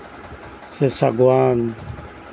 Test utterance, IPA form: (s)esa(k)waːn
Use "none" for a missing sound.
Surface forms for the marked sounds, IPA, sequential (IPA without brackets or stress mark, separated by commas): s, ɡ